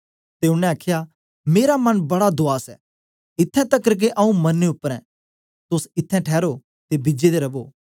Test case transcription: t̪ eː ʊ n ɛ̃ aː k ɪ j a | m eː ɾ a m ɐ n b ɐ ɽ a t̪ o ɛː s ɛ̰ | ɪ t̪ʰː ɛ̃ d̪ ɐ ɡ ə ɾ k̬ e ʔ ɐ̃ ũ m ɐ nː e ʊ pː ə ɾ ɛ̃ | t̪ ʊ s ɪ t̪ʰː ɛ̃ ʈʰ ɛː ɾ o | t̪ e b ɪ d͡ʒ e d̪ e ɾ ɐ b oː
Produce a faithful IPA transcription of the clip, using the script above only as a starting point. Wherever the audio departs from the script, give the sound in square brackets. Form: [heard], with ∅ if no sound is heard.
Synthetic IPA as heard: t̪ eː ʊ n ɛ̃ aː [kʰ] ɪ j a | m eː ɾ a m ɐ n b ɐ ɽ a [d̪] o [aː] s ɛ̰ | ɪ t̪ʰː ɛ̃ [t̪] ɐ [k] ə ɾ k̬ e ʔ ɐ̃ ũ m ɐ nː e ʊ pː ə ɾ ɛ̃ | t̪ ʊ s ɪ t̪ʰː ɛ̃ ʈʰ ɛː ɾ o | t̪ e b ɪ d͡ʒ e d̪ e ɾ ɐ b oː

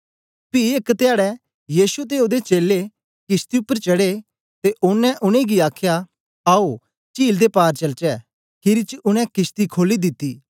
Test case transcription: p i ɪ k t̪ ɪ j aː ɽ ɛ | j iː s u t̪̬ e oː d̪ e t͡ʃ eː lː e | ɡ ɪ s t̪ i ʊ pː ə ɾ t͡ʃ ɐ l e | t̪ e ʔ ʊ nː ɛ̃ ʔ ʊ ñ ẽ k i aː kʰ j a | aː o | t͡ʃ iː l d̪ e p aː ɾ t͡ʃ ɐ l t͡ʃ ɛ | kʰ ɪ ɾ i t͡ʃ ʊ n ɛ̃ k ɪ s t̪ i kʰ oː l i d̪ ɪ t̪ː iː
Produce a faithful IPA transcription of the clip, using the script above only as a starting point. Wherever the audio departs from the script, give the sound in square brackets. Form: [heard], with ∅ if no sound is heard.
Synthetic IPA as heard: p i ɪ k t̪ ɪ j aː ɽ ɛ | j iː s u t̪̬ e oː d̪ e t͡ʃ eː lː e | [k] ɪ s t̪ i ʊ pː ə ɾ t͡ʃ ɐ [ɽ] e | t̪ e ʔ ʊ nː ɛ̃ ʔ ʊ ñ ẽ [ɡ] i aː kʰ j a | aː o | t͡ʃ iː l d̪ e p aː ɾ t͡ʃ ɐ l t͡ʃ ɛ | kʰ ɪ ɾ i t͡ʃ ʊ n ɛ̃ k ɪ s t̪ i kʰ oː l i d̪ ɪ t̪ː iː

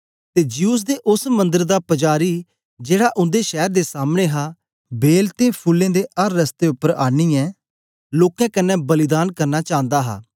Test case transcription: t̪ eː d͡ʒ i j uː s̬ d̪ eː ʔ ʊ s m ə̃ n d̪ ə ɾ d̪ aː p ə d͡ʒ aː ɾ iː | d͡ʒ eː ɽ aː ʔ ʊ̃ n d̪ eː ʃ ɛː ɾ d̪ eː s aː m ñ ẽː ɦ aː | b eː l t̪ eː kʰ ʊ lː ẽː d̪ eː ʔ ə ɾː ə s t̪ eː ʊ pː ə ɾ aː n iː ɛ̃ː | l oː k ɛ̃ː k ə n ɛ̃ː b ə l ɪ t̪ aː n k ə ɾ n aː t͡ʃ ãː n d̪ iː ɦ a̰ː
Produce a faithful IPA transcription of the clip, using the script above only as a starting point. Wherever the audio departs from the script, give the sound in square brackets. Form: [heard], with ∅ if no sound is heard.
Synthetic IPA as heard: t̪ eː d͡ʒ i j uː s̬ d̪ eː ʔ ʊ s m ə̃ n d̪ ə ɾ d̪ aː p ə d͡ʒ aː ɾ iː | d͡ʒ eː ɽ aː ʔ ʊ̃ n d̪ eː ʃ ɛː ɾ d̪ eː s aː m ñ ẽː ɦ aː | b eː l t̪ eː [pʰ] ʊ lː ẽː d̪ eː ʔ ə ɾː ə s t̪ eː ʊ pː ə ɾ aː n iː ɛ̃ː | l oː k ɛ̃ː k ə n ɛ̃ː b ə l ɪ [d̪] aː n k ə ɾ n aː t͡ʃ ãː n d̪ [aː] ɦ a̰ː

